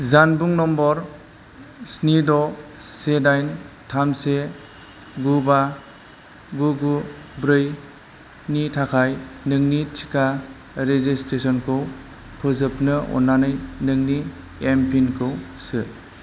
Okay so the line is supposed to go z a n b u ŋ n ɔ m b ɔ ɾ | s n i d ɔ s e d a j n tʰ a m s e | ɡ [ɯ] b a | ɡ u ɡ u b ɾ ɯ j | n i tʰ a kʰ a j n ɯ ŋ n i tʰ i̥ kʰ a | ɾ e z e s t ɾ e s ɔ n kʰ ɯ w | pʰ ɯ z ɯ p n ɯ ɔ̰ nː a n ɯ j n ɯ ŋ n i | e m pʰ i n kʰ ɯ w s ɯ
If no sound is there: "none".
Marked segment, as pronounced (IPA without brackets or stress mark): u